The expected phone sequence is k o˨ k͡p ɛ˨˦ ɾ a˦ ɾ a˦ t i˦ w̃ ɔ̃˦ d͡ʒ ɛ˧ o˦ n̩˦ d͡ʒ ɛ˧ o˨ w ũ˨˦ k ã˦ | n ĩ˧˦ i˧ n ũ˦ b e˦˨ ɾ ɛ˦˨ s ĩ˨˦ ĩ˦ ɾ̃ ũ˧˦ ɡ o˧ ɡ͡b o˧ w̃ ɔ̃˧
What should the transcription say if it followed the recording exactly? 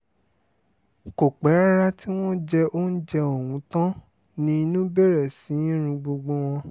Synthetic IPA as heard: k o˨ k͡p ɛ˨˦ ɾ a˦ ɾ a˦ t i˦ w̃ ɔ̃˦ d͡ʒ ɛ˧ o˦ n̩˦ d͡ʒ ɛ˧ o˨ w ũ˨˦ t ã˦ | n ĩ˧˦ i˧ n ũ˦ b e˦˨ ɾ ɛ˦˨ s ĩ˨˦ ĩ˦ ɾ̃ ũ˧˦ ɡ͡b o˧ ɡ͡b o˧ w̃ ɔ̃˧